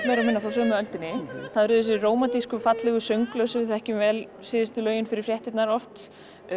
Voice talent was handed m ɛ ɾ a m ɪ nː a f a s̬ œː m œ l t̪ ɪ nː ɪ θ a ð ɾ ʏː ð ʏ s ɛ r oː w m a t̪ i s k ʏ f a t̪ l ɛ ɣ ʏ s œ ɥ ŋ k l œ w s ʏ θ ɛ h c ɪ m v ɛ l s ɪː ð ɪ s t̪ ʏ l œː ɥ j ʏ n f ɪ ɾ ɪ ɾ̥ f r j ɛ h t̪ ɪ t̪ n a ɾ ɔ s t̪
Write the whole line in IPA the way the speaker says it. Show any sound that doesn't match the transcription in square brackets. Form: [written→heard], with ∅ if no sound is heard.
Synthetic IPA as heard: m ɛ ɾ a m ɪ nː a f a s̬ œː m œ l t̪ ɪ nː ɪ θ a ð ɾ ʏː ð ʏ s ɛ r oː w m a t̪ i s k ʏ f a t̪ l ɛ ɣ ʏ s œ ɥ ŋ k l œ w s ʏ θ ɛ h c ɪ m v ɛ l s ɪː ð ɪ s t̪ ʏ l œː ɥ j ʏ n f ɪ ɾ ɪ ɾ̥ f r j ɛ h t̪ ɪ t̪ n a ɾ ɔ [s→f] t̪